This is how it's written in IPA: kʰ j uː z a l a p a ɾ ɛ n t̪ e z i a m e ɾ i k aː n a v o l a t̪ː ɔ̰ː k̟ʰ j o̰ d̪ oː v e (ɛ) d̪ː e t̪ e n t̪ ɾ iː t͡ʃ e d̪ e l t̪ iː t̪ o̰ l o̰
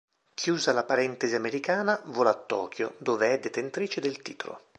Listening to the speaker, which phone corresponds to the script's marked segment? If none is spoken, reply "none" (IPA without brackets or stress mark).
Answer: ɛ